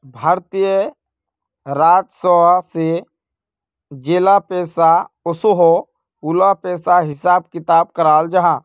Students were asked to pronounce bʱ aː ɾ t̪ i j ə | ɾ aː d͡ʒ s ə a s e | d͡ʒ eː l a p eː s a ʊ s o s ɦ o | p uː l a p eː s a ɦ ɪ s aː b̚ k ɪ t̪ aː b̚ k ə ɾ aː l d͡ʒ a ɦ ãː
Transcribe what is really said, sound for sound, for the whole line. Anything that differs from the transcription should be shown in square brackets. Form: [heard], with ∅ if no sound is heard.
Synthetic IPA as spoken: bʱ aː ɾ t̪ i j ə | ɾ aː d͡ʒ s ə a s e | d͡ʒ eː l a p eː s a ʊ s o [∅] ɦ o | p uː l a p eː s a ɦ ɪ s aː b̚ k ɪ t̪ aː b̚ k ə ɾ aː l d͡ʒ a ɦ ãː